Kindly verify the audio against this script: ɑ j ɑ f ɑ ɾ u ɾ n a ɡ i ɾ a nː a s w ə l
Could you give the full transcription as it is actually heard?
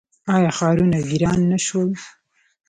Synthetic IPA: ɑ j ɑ x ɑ ɾ u n a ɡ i ɾ ɑ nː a ʃ w ə l